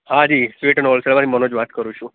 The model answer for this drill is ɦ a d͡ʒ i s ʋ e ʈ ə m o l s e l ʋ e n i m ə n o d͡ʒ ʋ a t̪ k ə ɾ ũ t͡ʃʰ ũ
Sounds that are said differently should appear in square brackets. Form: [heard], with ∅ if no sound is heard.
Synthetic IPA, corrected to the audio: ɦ a d͡ʒ i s ʋ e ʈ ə [n] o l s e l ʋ [a] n i m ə n o d͡ʒ ʋ a t̪ k ə ɾ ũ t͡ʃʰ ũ